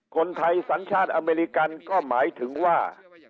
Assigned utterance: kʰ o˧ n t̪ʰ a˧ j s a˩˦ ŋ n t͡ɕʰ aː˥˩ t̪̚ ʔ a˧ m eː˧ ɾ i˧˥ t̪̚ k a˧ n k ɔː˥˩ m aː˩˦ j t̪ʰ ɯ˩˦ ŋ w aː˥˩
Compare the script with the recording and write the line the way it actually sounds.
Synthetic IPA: kʰ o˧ n t̪ʰ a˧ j s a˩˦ n t͡ɕʰ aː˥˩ t̪̚ ʔ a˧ m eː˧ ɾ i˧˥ k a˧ n k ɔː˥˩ m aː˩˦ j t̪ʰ ɯ˩˦ ŋ w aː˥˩